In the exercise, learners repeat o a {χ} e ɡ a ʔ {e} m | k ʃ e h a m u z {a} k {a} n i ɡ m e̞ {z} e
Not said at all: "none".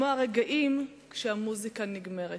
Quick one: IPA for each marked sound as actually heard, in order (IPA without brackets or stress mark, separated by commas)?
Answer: ʁ, i, i, a, ʁ